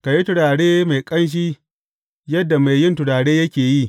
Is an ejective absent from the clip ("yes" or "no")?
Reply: no